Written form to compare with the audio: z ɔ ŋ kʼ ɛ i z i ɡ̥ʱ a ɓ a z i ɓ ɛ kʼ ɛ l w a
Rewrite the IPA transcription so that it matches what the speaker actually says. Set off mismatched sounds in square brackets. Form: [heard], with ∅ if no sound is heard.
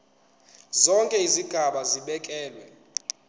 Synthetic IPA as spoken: z ɔ ŋ kʼ ɛ i z i ɡ̥ʱ a ɓ a z i ɓ ɛ kʼ [ɛː] l w [ɛ]